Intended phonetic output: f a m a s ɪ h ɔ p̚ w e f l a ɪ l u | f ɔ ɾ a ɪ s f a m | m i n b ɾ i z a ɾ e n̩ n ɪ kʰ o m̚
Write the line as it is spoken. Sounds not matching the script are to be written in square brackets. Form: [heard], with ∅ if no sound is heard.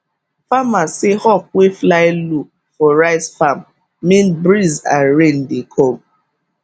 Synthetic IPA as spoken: f a m a s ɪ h ɔ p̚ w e f l a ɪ l u | f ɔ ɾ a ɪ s f a m | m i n b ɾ i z a ɾ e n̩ [d] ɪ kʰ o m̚